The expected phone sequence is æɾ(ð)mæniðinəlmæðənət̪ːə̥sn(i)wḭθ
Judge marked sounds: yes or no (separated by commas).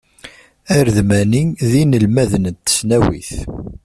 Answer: yes, no